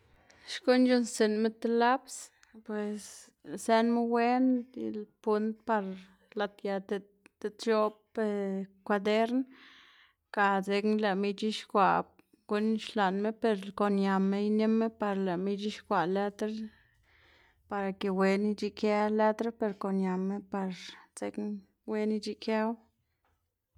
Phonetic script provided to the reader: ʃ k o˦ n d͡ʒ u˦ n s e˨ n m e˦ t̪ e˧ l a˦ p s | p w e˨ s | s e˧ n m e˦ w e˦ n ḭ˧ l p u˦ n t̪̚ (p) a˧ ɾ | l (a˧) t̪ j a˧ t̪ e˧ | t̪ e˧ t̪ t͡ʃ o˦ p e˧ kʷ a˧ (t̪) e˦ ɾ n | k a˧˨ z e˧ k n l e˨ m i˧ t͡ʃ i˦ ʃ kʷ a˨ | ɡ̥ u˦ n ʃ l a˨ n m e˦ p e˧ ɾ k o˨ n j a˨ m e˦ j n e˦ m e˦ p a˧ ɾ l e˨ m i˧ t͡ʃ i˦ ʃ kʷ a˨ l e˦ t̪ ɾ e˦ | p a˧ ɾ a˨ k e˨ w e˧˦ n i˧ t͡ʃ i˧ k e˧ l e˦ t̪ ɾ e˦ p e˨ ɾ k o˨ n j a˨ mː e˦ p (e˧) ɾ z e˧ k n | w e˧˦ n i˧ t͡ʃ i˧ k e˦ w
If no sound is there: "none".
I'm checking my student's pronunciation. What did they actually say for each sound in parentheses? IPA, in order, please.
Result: p, a˧, d̪, a˧

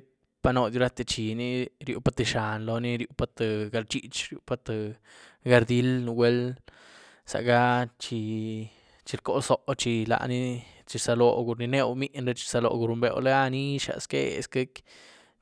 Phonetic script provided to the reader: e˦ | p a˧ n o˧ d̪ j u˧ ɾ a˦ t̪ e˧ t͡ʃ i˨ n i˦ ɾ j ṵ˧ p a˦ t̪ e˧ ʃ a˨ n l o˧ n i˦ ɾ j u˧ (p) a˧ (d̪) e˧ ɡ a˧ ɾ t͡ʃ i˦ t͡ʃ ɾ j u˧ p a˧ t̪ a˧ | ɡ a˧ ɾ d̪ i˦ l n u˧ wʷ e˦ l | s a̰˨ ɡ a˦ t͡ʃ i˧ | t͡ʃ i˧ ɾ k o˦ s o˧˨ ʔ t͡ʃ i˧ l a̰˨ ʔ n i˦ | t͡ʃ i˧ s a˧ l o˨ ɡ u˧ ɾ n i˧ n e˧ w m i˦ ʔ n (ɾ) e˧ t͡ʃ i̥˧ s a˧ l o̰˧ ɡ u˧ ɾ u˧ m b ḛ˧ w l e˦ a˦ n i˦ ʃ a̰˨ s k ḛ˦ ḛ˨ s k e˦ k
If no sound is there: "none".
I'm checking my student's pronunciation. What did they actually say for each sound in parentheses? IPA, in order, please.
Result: p, t̪, ɾ

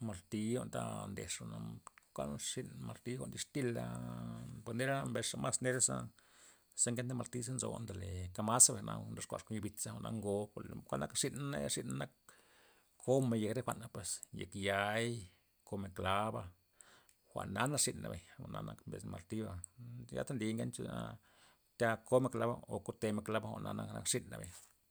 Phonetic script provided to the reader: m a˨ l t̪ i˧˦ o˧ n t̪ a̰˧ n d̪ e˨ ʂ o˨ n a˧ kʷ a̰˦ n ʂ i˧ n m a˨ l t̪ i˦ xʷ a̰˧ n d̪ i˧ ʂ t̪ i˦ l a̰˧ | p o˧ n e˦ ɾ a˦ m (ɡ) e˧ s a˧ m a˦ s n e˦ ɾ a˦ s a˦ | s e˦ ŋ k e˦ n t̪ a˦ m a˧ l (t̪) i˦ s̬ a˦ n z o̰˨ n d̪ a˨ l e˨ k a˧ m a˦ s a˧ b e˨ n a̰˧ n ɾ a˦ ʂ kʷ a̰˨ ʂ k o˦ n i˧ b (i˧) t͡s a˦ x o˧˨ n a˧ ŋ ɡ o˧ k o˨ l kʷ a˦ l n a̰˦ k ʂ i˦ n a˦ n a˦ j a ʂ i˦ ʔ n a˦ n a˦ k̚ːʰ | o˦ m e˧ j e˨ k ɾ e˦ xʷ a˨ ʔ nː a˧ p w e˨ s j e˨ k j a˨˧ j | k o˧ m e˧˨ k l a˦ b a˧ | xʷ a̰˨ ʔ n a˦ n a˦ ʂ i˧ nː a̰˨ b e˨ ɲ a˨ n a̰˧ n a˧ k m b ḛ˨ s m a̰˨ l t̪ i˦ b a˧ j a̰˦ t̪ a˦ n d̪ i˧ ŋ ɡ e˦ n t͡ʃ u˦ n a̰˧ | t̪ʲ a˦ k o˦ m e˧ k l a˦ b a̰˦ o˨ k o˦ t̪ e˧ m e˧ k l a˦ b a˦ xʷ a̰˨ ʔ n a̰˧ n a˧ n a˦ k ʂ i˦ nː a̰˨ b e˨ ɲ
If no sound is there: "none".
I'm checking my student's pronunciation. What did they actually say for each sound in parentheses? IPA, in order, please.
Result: b, t̪, i˧

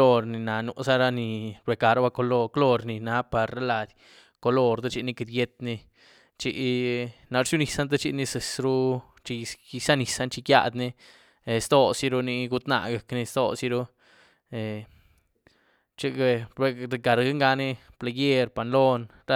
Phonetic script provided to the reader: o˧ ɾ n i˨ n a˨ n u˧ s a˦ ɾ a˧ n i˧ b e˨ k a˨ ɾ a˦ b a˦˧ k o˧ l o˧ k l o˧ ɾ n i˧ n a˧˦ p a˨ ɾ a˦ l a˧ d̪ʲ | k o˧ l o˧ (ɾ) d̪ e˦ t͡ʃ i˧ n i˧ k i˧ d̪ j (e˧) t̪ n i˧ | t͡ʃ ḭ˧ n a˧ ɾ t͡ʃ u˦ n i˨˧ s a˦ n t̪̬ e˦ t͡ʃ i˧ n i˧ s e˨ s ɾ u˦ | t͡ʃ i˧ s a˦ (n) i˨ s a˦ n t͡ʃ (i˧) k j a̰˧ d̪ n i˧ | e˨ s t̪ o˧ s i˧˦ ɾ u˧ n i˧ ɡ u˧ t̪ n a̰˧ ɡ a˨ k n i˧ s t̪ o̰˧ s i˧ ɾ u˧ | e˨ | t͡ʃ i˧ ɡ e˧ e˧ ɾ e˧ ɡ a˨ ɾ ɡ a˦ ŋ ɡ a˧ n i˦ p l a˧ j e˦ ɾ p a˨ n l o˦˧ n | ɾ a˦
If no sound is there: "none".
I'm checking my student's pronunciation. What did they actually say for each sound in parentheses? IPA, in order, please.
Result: ɾ, e˧, n, i˧

